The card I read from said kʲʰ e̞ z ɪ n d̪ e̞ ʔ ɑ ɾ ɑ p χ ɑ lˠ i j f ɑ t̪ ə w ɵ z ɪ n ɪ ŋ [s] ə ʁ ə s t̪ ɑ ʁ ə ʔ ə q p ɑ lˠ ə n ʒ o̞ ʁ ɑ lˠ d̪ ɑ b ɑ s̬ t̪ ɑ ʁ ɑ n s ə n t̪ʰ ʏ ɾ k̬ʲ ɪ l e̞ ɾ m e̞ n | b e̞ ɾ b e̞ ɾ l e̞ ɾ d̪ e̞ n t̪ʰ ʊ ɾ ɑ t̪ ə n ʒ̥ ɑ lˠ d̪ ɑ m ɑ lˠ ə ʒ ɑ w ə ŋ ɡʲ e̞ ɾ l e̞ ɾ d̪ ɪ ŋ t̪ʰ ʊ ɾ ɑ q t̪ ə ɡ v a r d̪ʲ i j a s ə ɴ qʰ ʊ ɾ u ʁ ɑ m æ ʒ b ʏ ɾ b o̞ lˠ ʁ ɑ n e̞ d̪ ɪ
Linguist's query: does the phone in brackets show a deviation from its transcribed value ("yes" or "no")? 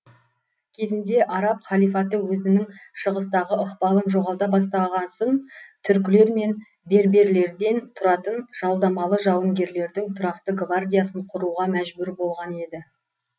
yes